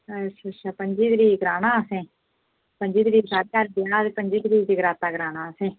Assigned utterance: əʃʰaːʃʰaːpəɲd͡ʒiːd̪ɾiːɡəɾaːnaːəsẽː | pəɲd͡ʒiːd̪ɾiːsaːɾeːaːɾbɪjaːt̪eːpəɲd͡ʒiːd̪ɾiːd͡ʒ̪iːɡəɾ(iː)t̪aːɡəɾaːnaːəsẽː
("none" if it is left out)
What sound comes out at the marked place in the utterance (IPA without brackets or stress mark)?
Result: aː